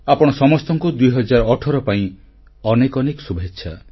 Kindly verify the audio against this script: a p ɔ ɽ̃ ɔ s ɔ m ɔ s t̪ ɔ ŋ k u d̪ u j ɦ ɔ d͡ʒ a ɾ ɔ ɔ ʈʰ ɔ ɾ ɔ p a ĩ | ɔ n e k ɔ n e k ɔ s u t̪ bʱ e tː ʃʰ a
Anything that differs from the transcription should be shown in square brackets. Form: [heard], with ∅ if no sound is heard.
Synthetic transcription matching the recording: a p ɔ ɽ̃ ɔ s ɔ m ɔ s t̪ ɔ ŋ k u d̪ u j ɦ ɔ d͡ʒ a ɾ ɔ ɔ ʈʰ ɔ ɾ ɔ p a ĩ | ɔ n e k ɔ n e k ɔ s u [∅] bʱ e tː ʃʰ a